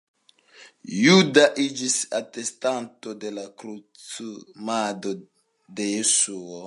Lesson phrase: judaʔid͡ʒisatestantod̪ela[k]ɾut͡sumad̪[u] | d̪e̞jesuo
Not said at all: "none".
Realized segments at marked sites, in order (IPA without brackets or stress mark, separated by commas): k, o